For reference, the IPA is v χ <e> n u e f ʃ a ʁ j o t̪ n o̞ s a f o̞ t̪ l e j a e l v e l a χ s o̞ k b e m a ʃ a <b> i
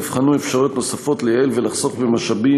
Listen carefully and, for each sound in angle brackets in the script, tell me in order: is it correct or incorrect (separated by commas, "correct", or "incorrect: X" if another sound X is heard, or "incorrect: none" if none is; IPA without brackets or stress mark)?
incorrect: a, correct